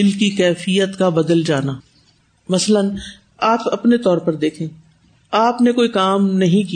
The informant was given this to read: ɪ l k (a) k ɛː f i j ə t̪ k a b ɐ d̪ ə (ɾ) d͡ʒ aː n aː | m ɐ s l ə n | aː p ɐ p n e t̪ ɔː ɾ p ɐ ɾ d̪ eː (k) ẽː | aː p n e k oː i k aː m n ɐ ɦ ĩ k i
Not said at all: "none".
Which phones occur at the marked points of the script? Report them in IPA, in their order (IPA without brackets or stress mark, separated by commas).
i, l, kʰ